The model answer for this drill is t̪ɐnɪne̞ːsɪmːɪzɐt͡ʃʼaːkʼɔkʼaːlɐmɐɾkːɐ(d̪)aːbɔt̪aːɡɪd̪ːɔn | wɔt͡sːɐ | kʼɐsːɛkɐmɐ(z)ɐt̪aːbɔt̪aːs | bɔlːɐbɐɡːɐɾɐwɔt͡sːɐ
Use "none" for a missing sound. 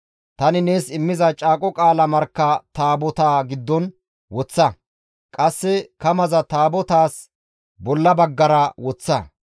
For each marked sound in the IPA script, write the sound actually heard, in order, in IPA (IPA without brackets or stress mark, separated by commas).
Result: t̪, z